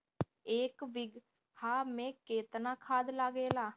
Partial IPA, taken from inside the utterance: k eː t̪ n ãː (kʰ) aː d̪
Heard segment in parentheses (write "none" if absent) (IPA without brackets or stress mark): kʰ